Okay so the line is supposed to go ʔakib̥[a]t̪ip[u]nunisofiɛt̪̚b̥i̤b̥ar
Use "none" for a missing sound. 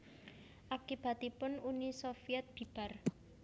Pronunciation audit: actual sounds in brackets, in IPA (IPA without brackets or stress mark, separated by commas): a, ʊ